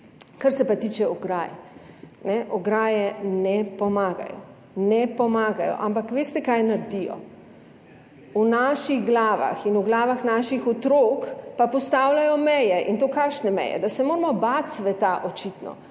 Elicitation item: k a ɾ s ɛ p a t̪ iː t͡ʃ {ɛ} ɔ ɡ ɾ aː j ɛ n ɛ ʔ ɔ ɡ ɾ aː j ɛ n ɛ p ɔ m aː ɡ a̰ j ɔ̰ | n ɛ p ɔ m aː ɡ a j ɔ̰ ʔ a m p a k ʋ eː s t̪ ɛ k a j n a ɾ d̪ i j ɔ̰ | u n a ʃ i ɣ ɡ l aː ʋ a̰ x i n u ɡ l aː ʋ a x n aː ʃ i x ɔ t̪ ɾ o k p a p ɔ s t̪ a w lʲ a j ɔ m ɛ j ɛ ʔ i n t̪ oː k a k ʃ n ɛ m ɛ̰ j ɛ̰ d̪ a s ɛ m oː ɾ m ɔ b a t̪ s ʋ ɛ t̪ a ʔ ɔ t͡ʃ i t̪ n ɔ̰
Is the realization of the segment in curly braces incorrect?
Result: no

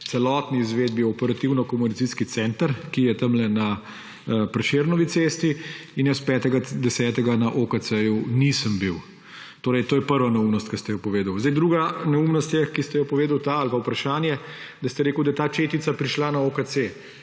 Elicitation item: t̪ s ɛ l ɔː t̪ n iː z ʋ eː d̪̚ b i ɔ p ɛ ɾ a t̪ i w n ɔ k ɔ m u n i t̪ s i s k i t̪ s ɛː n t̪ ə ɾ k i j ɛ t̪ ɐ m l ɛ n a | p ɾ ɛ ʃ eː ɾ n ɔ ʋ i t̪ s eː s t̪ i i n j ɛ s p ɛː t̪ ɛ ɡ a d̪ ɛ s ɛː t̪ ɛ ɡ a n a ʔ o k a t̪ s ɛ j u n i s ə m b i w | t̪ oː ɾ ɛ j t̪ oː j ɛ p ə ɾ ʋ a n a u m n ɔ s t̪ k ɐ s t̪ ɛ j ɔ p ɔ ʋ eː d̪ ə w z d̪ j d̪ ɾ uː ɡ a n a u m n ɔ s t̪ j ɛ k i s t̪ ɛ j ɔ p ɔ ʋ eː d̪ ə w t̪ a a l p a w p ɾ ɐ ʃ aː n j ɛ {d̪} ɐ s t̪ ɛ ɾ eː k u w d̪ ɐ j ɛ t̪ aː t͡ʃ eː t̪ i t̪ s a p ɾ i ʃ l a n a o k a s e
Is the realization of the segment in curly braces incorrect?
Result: no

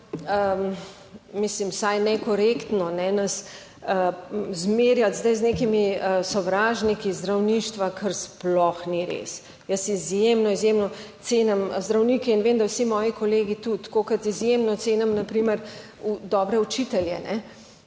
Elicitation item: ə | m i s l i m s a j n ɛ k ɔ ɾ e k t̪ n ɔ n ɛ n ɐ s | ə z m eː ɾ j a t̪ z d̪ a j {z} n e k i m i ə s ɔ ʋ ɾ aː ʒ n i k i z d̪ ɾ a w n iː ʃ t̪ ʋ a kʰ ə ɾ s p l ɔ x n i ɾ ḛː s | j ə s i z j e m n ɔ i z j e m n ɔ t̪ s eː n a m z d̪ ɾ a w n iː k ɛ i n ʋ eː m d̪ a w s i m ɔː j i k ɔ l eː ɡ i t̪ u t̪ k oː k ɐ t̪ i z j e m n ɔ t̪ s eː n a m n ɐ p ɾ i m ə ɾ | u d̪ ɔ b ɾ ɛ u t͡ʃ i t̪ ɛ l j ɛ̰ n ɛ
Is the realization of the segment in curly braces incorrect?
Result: no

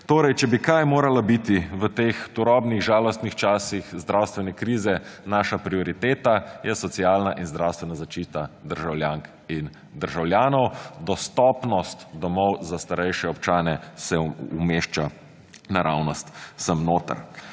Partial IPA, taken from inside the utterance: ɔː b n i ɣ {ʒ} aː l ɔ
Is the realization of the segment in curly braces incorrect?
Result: no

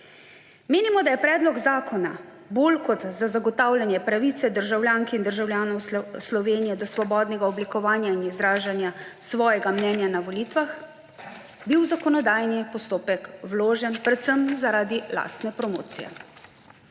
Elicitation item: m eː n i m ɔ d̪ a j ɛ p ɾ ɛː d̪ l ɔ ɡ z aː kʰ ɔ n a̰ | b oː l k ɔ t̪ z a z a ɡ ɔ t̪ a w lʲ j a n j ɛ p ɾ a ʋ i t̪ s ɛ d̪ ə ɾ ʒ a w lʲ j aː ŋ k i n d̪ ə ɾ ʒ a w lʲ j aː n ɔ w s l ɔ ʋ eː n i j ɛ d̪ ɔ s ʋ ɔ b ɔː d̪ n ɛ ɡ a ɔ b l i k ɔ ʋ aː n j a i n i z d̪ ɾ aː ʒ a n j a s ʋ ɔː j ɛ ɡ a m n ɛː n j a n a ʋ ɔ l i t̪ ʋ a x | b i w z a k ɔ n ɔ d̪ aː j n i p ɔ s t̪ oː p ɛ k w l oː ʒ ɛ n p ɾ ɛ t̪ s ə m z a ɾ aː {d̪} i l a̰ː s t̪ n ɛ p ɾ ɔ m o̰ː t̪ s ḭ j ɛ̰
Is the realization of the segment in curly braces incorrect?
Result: no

